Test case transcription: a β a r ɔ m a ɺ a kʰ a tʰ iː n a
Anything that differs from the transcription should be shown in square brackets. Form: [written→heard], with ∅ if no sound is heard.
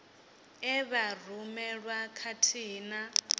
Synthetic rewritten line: [a→ɛ] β a r [ɔ→u] m [a→ɛ] ɺ a kʰ a tʰ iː n a